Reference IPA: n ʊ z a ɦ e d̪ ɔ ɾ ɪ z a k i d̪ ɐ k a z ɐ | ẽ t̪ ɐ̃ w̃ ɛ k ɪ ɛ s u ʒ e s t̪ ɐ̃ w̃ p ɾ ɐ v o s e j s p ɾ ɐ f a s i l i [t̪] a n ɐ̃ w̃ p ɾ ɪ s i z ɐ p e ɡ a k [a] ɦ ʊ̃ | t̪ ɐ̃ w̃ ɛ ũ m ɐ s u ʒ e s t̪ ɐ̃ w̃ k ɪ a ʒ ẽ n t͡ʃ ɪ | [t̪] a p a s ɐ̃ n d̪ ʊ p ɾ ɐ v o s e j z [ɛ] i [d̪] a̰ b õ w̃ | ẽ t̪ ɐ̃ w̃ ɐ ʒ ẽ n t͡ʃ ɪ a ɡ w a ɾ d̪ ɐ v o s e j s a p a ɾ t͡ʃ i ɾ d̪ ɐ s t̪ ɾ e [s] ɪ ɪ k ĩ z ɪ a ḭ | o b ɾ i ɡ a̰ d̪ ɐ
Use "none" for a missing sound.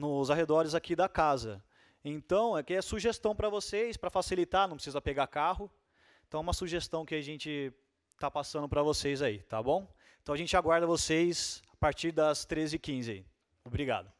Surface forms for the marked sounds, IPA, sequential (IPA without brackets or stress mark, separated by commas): t̪, a, t̪, a, t̪, z